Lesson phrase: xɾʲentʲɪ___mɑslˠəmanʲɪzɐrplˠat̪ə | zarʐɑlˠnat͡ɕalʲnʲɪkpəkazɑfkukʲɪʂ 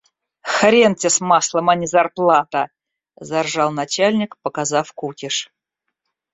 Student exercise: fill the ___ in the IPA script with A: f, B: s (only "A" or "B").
B